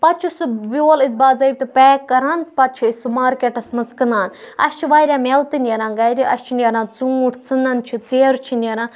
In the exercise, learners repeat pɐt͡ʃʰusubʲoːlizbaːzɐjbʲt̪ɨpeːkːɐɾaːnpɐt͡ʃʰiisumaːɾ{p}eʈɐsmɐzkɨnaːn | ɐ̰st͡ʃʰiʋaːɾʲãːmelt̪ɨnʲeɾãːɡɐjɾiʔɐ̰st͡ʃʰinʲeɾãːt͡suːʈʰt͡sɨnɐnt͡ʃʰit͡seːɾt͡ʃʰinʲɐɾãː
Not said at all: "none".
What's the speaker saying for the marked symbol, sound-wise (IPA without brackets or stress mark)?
k